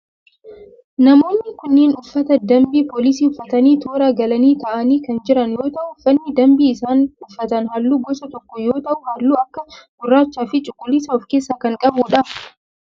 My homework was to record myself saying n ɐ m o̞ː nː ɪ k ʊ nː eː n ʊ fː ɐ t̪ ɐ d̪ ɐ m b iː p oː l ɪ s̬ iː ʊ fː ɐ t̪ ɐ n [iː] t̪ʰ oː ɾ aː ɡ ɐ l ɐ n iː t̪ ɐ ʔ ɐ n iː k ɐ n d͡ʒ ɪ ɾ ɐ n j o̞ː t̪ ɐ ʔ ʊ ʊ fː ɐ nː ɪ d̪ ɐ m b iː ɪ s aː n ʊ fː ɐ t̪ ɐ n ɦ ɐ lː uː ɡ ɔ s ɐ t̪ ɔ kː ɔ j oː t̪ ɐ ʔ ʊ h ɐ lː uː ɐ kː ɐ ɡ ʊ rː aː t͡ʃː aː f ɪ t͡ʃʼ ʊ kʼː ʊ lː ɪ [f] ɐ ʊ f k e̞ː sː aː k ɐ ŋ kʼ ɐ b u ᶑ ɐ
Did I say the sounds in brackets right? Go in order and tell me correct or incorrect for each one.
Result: correct, incorrect: s

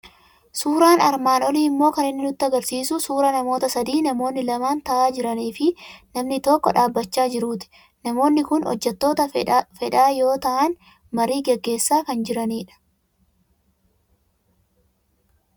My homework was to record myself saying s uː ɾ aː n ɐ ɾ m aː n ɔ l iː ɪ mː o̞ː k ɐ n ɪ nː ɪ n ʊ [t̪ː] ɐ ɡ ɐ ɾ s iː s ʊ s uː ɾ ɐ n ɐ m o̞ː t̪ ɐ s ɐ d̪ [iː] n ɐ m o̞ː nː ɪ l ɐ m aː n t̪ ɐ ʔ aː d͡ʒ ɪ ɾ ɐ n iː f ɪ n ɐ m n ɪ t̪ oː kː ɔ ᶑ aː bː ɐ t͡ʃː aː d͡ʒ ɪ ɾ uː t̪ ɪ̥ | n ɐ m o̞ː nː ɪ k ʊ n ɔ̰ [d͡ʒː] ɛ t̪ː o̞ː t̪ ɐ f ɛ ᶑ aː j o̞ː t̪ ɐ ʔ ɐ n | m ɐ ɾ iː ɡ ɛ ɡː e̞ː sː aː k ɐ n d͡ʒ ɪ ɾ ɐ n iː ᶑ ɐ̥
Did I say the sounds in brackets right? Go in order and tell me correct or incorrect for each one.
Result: correct, correct, correct

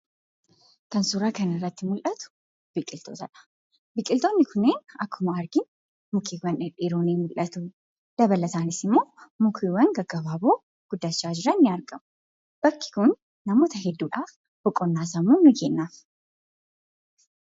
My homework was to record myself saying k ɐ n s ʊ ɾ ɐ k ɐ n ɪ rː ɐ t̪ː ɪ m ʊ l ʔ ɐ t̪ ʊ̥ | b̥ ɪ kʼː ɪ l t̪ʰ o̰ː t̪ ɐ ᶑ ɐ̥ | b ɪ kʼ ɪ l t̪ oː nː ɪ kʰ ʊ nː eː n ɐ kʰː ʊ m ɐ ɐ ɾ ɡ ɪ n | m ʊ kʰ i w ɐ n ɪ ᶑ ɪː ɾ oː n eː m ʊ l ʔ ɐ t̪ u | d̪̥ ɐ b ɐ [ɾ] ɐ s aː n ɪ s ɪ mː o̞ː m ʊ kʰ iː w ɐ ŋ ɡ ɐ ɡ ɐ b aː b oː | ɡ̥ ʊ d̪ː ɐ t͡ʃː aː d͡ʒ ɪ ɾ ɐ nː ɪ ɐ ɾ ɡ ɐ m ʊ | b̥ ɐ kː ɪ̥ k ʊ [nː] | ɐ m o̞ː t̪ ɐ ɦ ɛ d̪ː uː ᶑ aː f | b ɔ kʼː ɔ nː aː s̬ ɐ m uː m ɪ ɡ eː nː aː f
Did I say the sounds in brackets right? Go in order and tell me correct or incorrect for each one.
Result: incorrect: l, correct

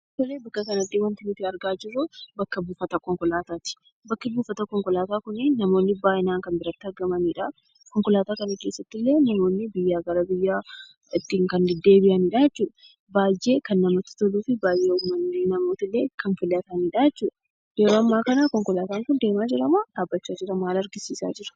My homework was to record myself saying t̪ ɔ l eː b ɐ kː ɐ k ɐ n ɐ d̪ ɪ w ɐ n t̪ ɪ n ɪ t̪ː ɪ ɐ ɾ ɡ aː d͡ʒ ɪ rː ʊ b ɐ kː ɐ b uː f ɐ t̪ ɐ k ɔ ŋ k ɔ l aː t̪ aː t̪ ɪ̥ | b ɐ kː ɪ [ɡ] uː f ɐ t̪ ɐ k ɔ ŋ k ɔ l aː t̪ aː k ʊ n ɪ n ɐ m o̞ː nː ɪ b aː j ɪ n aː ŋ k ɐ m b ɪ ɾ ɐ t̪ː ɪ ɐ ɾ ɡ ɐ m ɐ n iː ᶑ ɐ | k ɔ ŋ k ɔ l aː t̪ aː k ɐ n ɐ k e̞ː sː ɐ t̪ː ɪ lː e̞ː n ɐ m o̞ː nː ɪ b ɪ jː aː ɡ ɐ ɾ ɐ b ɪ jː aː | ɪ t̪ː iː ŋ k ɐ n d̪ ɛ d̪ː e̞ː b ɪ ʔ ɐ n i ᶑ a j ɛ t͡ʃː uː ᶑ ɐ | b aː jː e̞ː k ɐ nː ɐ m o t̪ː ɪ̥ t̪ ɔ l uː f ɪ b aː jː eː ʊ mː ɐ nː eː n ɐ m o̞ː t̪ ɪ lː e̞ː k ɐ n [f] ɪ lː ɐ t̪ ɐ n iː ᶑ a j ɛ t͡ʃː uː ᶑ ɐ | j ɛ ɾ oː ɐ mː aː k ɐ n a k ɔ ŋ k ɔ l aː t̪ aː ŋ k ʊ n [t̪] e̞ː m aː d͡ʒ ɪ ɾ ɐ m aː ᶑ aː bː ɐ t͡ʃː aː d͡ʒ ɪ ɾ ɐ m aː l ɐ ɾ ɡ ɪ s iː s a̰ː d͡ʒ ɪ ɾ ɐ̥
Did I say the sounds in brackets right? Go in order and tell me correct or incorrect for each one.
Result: incorrect: b, correct, incorrect: d̪

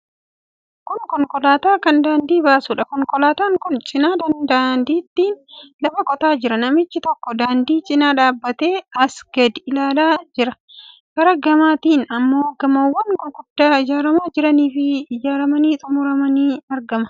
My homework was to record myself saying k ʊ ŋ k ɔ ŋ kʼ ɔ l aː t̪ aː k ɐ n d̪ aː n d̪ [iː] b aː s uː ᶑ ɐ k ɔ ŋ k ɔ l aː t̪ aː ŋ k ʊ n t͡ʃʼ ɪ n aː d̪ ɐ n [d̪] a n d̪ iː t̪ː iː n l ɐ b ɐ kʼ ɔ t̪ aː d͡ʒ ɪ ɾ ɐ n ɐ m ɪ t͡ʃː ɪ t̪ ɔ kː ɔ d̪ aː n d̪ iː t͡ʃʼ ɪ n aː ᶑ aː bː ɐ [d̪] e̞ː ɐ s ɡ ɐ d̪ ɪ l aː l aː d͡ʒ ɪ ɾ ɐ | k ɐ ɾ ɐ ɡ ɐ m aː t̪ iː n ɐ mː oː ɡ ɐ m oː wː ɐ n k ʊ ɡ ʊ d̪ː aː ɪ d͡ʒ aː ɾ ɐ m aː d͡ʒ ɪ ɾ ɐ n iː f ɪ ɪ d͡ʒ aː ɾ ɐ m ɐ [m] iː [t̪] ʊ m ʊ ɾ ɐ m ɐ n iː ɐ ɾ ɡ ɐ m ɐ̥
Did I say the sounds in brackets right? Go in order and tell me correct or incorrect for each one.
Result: correct, correct, incorrect: t̪, incorrect: n, incorrect: t̪ʼ

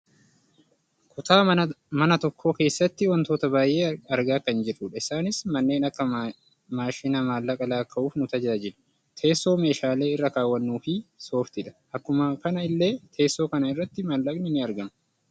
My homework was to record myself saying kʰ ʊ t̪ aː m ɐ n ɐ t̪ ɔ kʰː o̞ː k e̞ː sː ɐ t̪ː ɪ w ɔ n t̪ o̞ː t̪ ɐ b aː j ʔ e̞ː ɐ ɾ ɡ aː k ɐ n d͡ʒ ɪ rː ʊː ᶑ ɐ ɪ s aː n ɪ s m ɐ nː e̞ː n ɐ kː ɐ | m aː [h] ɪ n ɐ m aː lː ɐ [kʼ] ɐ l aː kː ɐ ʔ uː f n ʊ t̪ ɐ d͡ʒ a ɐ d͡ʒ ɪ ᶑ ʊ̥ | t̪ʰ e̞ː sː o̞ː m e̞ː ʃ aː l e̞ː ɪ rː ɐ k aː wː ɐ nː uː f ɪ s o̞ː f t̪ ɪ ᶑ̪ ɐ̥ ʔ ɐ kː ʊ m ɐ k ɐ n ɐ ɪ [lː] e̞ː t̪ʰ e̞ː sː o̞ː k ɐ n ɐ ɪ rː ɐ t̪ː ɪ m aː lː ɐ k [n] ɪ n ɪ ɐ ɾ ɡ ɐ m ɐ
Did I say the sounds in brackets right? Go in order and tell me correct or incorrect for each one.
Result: incorrect: ʃ, correct, correct, correct

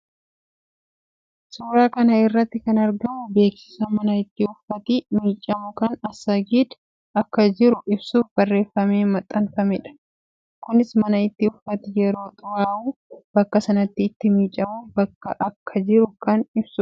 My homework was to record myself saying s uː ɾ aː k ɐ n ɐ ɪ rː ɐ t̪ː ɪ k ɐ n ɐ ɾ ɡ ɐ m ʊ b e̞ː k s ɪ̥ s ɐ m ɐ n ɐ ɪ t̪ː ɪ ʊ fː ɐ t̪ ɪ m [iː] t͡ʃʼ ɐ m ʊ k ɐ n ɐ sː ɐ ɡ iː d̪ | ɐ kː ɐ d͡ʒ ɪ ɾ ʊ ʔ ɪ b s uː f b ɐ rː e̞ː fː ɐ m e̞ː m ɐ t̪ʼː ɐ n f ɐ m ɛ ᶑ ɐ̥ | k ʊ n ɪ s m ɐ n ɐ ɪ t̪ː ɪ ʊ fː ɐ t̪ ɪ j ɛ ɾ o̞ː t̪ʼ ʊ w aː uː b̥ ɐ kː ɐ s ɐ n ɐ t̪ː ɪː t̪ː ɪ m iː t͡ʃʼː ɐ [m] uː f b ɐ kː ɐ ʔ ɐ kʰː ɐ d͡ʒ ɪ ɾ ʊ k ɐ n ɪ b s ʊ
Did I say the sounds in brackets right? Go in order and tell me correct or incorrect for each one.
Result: correct, correct

